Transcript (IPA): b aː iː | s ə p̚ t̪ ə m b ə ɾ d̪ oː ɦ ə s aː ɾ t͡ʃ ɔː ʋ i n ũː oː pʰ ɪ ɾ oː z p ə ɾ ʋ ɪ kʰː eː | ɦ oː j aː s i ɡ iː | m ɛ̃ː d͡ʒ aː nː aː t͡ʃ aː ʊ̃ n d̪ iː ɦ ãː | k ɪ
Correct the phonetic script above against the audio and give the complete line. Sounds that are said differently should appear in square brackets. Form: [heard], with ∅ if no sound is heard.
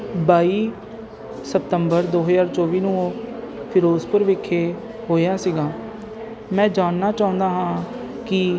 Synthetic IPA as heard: b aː iː | s ə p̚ t̪ ə m b ə ɾ d̪ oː ɦ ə [z] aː ɾ t͡ʃ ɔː ʋ [iː] n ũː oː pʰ ɪ ɾ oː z p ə ɾ ʋ ɪ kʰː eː | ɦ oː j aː s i ɡ [aː] | m ɛ̃ː d͡ʒ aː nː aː t͡ʃ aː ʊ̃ n d̪ [aː] ɦ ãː | k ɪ